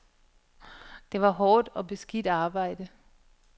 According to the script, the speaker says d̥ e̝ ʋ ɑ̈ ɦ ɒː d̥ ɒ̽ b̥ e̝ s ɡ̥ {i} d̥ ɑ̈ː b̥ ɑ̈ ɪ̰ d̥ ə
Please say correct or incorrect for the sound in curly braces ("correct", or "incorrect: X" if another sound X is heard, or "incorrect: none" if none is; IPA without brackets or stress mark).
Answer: correct